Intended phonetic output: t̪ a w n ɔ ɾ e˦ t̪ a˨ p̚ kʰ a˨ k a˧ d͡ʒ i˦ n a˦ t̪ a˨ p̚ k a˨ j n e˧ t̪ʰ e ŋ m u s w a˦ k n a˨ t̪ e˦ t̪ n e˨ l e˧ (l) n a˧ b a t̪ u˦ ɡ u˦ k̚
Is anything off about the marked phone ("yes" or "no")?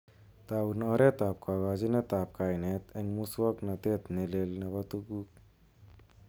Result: no